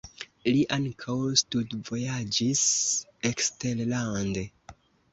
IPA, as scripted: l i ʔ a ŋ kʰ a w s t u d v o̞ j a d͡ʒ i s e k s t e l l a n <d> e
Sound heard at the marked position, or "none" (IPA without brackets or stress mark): d